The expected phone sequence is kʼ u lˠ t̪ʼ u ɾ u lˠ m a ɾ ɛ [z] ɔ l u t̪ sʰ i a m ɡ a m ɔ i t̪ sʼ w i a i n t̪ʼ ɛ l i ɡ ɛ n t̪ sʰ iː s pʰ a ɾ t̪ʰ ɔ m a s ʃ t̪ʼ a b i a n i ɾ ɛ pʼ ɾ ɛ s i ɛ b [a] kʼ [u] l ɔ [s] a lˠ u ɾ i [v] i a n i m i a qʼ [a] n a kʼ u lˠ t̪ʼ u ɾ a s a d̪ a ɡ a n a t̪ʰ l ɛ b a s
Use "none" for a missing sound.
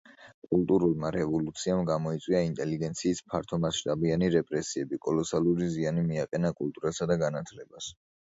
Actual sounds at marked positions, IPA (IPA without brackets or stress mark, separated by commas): v, i, ɔ, s, z, ɛ